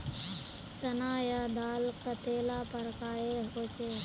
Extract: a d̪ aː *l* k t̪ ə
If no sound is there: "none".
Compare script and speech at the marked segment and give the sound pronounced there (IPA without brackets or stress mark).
l